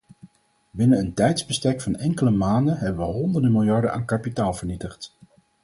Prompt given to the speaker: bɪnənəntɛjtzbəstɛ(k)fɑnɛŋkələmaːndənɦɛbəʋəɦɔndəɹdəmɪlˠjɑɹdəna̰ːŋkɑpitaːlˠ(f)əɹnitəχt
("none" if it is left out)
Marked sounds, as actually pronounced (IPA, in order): k, v

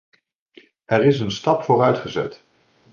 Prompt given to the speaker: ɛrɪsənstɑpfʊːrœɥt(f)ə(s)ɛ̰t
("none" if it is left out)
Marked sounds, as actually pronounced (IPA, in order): χ, z

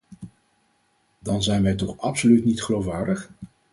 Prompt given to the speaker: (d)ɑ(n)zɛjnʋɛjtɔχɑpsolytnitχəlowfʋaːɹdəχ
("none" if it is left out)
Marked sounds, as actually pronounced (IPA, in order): d, n

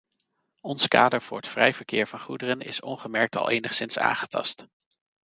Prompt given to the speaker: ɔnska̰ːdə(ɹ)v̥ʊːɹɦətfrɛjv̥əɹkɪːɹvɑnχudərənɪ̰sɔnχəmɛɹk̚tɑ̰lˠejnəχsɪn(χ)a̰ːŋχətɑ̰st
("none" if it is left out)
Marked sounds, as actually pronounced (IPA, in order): ɹ, s

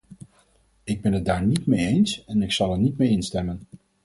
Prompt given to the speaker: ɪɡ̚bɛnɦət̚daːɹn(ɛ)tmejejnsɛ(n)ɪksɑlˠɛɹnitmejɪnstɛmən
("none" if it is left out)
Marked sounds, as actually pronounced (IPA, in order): i, n

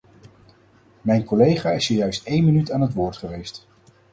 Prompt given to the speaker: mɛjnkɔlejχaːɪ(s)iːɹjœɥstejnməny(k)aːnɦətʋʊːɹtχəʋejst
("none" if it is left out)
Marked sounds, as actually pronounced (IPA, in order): s, t

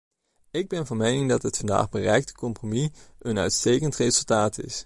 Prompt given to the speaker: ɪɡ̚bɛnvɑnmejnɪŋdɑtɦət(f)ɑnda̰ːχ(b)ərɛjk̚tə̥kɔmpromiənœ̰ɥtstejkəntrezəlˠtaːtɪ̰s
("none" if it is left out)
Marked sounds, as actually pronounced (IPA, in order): f, b

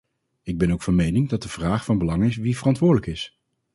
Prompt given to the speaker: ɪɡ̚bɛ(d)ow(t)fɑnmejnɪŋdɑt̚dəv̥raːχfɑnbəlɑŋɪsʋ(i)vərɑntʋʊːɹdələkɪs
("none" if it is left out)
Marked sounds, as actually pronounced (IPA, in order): n, k, i

